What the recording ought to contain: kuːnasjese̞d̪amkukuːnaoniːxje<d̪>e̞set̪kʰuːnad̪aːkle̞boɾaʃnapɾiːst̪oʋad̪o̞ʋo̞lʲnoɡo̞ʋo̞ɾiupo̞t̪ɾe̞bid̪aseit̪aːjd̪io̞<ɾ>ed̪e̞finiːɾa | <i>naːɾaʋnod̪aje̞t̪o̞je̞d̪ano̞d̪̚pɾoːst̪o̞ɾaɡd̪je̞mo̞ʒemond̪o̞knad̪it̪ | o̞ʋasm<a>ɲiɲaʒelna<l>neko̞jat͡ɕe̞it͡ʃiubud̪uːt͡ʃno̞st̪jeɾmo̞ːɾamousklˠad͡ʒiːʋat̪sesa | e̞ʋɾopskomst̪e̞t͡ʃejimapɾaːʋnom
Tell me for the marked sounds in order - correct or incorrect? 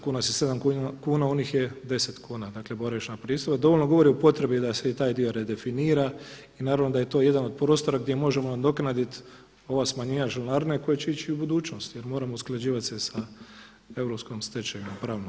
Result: correct, correct, correct, correct, incorrect: ɾ

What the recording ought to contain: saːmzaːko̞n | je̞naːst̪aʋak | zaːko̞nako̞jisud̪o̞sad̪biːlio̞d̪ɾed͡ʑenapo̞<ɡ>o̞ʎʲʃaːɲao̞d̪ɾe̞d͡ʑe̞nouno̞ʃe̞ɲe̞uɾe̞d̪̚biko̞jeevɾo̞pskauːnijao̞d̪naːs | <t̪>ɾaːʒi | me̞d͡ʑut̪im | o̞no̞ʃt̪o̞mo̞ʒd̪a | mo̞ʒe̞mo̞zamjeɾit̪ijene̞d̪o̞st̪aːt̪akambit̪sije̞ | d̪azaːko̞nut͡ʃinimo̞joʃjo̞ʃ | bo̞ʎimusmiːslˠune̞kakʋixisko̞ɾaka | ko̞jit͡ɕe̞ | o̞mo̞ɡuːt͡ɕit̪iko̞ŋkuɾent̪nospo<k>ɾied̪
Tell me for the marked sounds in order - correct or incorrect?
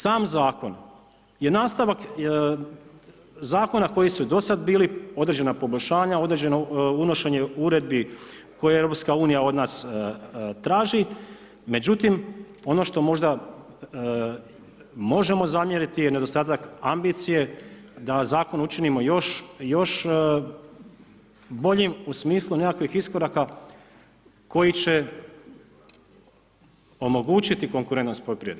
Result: incorrect: b, correct, incorrect: p

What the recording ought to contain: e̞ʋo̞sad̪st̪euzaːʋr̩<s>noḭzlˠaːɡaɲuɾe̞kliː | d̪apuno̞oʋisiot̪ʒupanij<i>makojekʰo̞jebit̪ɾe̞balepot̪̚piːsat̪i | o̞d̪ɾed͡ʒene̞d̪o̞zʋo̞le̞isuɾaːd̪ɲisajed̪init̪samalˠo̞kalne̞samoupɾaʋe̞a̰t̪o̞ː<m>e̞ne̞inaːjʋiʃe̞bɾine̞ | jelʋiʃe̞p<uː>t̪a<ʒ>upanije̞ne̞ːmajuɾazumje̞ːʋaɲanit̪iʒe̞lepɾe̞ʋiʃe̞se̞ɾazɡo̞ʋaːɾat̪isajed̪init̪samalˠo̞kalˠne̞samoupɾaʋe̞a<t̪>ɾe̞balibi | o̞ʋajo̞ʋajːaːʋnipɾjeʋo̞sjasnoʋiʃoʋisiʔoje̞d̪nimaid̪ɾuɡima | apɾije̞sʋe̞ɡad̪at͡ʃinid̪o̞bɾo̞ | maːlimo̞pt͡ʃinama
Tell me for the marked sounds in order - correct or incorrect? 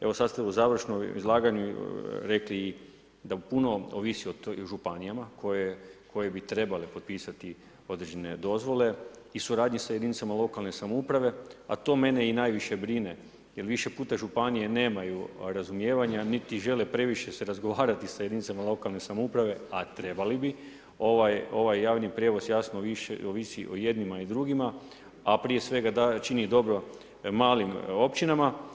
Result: incorrect: ʃ, incorrect: a, correct, correct, correct, correct

